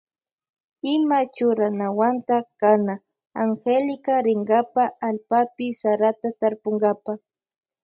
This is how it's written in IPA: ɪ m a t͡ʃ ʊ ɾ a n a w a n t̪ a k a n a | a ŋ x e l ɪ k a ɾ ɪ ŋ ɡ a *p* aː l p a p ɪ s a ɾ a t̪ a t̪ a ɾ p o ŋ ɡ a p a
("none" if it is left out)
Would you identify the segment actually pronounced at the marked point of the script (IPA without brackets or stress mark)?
p